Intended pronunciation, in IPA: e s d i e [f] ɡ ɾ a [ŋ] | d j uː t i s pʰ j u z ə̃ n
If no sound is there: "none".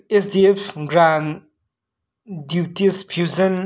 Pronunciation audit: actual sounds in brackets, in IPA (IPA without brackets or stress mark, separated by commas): f, n